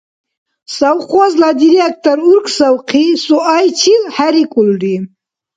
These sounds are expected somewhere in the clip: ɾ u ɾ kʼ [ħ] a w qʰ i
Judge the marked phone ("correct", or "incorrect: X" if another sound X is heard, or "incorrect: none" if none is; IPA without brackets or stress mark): incorrect: s